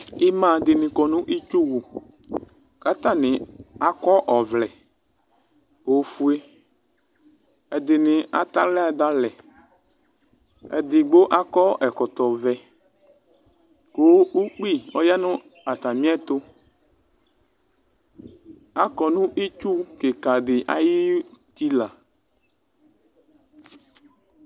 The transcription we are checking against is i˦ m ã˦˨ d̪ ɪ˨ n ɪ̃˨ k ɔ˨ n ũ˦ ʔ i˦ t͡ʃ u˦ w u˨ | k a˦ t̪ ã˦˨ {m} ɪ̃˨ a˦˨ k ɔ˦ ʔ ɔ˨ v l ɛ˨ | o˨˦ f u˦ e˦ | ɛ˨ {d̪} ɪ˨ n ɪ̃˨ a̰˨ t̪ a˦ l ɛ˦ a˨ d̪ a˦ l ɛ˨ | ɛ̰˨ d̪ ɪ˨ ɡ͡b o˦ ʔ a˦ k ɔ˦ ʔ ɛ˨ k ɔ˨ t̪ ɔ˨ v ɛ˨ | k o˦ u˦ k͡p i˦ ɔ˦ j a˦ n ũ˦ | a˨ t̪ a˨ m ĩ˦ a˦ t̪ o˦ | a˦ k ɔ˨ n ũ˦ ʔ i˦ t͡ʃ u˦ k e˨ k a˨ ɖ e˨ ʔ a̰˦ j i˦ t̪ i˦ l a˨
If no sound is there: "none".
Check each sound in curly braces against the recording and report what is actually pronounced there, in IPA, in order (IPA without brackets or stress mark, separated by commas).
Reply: n, d̪